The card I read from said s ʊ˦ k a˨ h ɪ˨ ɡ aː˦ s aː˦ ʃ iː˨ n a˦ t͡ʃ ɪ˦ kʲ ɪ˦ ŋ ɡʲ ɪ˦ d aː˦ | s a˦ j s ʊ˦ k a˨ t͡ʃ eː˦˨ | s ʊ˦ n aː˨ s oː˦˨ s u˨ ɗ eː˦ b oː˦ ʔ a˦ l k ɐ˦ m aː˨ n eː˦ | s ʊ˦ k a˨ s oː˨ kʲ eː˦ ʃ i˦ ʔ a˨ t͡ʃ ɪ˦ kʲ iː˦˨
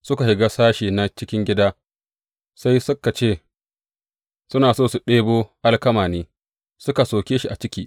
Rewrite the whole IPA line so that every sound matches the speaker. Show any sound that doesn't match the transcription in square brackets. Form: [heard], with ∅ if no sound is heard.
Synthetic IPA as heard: s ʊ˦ k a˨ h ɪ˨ ɡ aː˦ s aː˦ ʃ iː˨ n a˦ t͡ʃ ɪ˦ kʲ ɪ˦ ŋ ɡʲ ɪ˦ d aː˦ | s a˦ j s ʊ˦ k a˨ t͡ʃ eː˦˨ | s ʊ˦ n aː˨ s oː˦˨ s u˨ ɗ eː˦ b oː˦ ʔ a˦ l k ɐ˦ m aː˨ n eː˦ | s ʊ˦ k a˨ s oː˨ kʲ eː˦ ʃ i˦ ʔ a˨ t͡ʃ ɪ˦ kʲ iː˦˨